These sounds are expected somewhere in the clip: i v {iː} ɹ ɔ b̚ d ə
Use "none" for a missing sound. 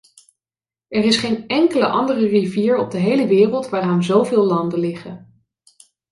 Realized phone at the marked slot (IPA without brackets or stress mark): iː